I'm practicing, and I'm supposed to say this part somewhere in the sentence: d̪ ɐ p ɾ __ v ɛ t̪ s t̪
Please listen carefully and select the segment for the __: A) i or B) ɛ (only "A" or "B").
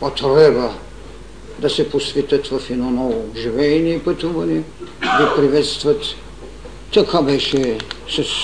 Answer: A